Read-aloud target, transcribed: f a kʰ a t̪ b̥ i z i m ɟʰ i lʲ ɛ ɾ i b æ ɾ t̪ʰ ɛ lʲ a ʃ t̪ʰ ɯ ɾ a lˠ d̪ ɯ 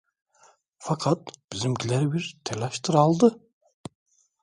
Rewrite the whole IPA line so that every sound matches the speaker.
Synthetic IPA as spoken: f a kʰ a t̪ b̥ i z i m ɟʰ i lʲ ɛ ɾ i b i ɾ t̪ʰ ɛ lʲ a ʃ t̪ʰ ɯ ɾ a lˠ d̪ ɯ